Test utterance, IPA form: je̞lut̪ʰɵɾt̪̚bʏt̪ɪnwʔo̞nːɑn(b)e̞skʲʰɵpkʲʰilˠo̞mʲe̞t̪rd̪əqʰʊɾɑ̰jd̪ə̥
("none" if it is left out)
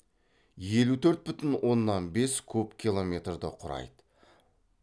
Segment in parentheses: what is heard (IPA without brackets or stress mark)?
b